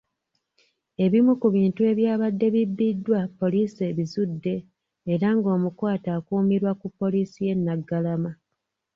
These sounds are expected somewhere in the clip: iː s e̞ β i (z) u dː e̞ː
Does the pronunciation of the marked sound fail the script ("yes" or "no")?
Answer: no